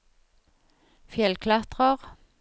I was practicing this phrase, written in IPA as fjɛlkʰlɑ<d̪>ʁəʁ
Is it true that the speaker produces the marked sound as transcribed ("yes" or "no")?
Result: no